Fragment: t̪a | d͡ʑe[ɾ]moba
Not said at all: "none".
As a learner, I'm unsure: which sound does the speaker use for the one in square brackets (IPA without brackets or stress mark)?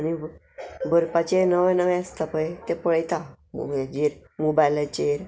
ɾ